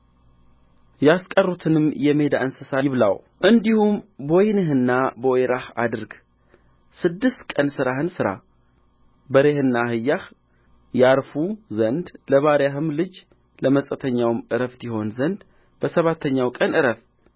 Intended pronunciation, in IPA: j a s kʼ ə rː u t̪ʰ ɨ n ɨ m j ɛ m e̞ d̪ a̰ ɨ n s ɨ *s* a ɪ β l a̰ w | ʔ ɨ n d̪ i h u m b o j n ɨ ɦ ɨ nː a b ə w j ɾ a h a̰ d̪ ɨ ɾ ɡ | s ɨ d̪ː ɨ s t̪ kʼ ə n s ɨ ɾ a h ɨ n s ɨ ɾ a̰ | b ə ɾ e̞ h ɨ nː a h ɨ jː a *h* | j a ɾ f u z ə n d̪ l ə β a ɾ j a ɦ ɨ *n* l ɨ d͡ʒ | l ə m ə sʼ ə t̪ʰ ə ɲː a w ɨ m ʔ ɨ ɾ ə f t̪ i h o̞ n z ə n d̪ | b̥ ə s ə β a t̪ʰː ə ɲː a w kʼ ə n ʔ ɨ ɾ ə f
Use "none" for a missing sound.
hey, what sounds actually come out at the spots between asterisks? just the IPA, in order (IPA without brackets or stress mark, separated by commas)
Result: s, h, m